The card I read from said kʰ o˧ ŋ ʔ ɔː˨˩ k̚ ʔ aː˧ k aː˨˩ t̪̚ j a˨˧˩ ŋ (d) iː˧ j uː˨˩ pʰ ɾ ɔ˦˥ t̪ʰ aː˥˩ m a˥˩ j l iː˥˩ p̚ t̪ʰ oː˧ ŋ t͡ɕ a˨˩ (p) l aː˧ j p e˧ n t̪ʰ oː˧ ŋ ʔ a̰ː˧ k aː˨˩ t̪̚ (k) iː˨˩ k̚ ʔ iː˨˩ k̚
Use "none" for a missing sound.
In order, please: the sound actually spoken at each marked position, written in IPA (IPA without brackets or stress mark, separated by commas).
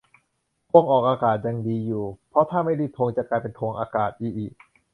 d, k, ʔ